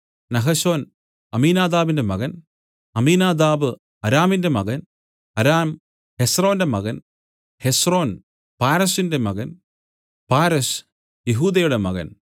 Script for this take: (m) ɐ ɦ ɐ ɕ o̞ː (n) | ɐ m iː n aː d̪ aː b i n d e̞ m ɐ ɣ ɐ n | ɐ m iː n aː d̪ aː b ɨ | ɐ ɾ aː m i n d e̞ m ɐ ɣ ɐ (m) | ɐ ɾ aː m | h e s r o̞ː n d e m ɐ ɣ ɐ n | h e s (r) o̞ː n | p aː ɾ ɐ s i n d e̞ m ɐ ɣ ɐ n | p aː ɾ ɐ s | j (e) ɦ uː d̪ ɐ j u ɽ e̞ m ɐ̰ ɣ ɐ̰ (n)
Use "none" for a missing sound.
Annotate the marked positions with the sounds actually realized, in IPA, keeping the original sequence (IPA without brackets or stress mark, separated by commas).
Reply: n, n, n, r, e, n